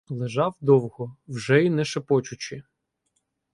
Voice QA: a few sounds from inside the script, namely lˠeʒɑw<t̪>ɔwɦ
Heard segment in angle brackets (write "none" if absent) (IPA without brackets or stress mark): d̪